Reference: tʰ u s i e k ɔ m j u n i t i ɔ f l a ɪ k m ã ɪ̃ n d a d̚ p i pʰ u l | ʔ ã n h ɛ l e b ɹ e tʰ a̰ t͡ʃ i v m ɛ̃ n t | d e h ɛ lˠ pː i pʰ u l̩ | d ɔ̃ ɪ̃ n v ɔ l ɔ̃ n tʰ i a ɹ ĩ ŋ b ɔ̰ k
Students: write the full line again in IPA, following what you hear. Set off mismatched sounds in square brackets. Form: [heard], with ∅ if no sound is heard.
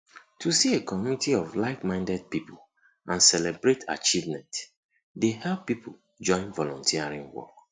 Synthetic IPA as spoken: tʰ u s i e k ɔ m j u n i t i ɔ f l a ɪ k m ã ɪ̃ n d [ɛ] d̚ p i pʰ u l | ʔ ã n [s] ɛ l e b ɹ e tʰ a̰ t͡ʃ i v m ɛ̃ n t | d e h ɛ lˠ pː i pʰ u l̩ | [d͡ʒ] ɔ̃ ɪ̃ n v ɔ l ɔ̃ n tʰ i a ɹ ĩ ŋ [w] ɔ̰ k